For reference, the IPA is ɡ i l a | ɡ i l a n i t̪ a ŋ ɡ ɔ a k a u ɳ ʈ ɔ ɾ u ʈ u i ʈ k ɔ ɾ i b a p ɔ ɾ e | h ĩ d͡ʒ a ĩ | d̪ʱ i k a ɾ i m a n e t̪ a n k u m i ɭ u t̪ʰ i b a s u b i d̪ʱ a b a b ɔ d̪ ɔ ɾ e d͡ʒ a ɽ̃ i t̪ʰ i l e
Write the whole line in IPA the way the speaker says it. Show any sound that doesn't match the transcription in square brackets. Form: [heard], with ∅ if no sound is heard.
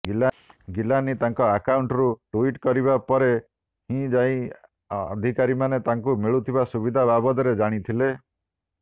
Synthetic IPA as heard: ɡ i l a | ɡ i l a n i t̪ a ŋ [k] ɔ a k a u ɳ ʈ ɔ ɾ u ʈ u i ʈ k ɔ ɾ i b a p ɔ ɾ e | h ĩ d͡ʒ a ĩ | d̪ʱ i k a ɾ i m a n e t̪ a [ŋ] k u m i ɭ u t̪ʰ i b a s u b i d̪ʱ a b a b ɔ d̪ ɔ ɾ e d͡ʒ a ɽ̃ i t̪ʰ i l e